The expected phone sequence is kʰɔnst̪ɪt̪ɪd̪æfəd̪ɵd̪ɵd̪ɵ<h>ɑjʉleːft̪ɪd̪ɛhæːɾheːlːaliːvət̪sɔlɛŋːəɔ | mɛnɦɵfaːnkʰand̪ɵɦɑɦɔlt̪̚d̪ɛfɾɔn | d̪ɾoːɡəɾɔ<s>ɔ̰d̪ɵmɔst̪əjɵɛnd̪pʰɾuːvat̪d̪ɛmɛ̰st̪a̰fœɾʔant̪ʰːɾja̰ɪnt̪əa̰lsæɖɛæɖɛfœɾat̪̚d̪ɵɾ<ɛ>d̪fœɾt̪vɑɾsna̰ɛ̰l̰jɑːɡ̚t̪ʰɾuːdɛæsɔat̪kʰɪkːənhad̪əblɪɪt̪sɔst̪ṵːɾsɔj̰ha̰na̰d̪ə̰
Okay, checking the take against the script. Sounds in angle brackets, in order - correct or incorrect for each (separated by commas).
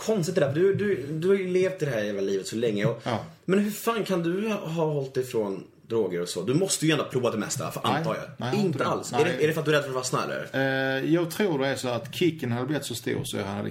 correct, correct, correct